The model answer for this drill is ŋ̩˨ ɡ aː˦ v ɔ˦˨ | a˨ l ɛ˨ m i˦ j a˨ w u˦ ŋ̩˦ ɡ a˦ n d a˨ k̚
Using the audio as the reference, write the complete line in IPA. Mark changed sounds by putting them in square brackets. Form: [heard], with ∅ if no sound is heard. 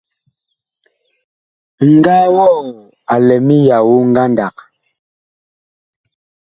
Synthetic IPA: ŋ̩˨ ɡ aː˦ [w] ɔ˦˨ | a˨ l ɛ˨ m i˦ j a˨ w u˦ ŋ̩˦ ɡ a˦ n d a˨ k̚